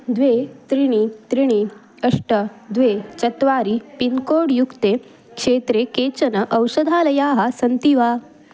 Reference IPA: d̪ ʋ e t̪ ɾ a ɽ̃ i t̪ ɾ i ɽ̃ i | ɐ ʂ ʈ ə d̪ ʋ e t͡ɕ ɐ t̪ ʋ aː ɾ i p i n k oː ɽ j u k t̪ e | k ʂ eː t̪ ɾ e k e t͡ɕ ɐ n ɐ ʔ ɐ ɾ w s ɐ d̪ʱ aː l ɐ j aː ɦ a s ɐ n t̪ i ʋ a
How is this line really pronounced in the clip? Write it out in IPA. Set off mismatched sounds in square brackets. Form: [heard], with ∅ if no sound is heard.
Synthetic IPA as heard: d̪ ʋ e t̪ ɾ [i] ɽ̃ i t̪ ɾ i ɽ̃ i | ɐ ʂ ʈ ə d̪ ʋ e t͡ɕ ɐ t̪ ʋ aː ɾ i p i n k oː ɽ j u k t̪ e | k ʂ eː t̪ ɾ e k e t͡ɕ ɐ n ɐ ʔ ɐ [∅] w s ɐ d̪ʱ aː l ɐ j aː ɦ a s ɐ n t̪ i ʋ a